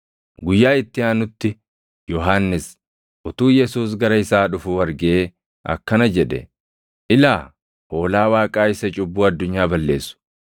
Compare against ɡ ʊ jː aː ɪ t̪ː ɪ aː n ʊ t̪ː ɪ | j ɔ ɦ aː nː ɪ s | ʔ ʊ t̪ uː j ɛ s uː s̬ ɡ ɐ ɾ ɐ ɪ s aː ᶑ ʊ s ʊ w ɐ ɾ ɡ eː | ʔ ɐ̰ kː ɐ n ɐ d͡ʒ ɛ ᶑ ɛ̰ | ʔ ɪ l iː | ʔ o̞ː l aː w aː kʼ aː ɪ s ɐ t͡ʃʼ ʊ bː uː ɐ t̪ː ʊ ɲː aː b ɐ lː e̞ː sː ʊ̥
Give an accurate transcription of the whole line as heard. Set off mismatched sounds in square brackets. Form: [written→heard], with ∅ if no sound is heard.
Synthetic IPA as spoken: ɡ ʊ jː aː ɪ t̪ː ɪ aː n ʊ t̪ː ɪ | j ɔ ɦ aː nː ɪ s | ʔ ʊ t̪ uː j ɛ s uː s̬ ɡ ɐ ɾ ɐ ɪ s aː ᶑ ʊ [s→f] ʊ w ɐ ɾ ɡ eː | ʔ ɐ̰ kː ɐ n ɐ d͡ʒ ɛ ᶑ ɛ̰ | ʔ ɪ l [iː→aː] | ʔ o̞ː l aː w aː kʼ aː ɪ s ɐ t͡ʃʼ ʊ bː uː ɐ [t̪ː→d̪ː] ʊ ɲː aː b ɐ lː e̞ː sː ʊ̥

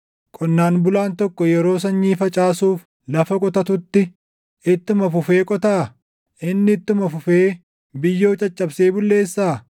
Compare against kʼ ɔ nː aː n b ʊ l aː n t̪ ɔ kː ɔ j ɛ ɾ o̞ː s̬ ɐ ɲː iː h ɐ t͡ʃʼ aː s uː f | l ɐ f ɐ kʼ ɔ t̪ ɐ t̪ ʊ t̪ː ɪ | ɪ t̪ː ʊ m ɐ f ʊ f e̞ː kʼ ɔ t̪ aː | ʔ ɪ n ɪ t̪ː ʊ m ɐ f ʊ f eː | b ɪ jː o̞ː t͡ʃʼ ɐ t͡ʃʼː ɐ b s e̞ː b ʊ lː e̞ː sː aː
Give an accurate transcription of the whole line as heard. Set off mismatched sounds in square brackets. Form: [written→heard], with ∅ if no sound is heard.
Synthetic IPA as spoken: kʼ ɔ nː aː n b ʊ l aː n t̪ ɔ kː ɔ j ɛ ɾ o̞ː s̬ ɐ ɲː iː [h→f] ɐ t͡ʃʼ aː s uː f | l ɐ f ɐ kʼ ɔ t̪ ɐ t̪ ʊ t̪ː ɪ | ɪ t̪ː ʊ m ɐ f ʊ f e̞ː kʼ ɔ t̪ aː | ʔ ɪ [n→nː] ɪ t̪ː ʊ m ɐ f ʊ f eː | b ɪ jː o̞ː t͡ʃʼ ɐ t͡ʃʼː ɐ b s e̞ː b ʊ lː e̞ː sː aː

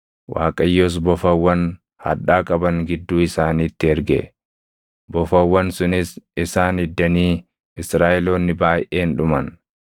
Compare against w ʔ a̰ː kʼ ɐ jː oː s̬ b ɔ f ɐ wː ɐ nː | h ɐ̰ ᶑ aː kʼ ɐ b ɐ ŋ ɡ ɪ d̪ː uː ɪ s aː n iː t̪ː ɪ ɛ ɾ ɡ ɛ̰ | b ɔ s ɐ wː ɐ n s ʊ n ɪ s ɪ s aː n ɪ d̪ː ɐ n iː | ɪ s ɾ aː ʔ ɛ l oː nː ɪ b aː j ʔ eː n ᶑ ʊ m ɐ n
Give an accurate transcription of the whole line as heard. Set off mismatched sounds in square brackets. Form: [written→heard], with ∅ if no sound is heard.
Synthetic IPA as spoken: w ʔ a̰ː kʼ ɐ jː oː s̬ b ɔ f ɐ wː ɐ [nː→n] | h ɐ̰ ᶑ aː kʼ ɐ b ɐ ŋ ɡ ɪ d̪ː uː ɪ s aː n iː t̪ː ɪ ɛ ɾ ɡ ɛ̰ | b ɔ [s→f] ɐ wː ɐ n s ʊ n ɪ s ɪ s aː n ɪ d̪ː ɐ n iː | ɪ s ɾ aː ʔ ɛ l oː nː ɪ b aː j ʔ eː n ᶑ ʊ m ɐ n

